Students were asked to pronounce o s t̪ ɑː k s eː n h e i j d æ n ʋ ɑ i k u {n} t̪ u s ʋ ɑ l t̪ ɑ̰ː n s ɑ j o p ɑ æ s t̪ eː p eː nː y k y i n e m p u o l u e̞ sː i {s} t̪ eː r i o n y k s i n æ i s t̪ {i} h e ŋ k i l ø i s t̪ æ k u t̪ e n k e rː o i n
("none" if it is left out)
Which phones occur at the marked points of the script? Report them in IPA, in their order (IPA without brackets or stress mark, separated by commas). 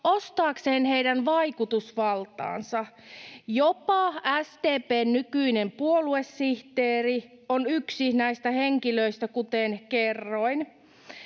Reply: none, h, æ